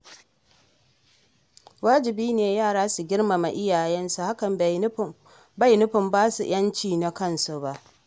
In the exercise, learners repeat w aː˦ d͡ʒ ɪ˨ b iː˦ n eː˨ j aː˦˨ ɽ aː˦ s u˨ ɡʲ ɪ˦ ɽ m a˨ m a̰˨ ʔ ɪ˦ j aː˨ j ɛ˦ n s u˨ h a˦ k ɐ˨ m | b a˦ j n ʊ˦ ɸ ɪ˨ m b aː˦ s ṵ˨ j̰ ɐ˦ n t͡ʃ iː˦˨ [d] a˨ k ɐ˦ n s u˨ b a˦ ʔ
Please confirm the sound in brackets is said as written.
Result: no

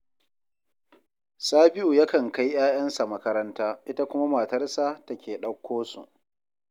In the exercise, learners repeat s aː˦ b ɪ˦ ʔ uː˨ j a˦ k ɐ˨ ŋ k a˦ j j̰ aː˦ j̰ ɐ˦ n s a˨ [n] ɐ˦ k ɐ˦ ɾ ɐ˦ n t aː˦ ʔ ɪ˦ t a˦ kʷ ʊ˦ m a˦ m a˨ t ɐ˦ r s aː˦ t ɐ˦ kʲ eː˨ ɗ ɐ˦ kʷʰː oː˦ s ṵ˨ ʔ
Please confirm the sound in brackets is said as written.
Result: no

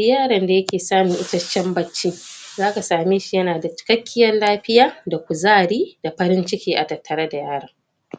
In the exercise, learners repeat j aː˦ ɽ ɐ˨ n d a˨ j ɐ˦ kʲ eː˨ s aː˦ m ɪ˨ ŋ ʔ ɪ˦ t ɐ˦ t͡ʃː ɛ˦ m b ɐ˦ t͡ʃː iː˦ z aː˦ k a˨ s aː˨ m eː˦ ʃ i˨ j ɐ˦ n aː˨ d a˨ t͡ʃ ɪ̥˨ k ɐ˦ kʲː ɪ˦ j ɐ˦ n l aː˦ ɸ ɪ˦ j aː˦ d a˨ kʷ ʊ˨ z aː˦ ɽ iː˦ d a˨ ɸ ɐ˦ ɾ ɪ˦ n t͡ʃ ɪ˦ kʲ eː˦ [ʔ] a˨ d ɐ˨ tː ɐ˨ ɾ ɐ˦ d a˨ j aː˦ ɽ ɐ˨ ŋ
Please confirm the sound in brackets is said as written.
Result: yes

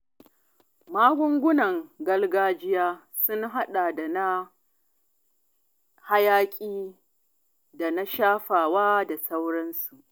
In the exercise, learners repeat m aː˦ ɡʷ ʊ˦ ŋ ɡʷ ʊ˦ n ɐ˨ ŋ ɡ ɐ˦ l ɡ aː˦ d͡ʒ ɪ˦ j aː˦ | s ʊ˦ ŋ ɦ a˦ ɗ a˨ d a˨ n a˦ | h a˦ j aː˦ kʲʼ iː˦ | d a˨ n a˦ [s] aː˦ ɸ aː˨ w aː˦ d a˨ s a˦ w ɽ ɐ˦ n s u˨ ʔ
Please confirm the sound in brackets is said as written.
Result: no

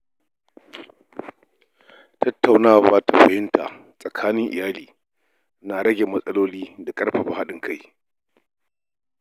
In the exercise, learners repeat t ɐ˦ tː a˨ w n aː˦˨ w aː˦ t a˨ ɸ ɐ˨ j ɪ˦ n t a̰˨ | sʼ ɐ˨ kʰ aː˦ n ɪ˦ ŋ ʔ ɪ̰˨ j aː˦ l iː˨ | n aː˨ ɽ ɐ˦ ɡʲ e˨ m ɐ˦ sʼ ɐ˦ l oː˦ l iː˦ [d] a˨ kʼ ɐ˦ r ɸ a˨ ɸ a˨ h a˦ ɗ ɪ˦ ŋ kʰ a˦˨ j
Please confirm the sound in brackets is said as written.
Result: yes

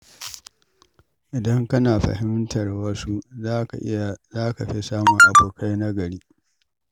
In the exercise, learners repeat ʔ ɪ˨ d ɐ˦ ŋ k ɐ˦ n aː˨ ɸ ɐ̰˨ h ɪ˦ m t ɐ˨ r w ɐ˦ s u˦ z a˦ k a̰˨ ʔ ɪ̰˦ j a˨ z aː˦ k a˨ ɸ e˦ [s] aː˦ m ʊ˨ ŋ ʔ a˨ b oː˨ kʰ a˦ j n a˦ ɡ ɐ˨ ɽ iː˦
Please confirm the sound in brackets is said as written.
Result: yes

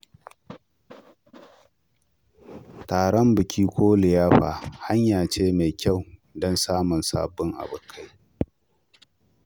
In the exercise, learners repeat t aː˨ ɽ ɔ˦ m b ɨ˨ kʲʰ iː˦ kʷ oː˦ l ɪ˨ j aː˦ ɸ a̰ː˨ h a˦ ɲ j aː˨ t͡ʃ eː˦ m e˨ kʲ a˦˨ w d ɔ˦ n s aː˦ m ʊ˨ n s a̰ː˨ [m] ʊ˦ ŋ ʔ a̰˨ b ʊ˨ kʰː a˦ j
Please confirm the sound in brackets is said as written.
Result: no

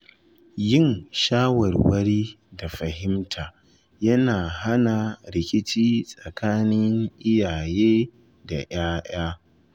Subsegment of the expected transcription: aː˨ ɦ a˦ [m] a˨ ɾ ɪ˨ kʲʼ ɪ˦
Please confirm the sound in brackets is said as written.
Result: no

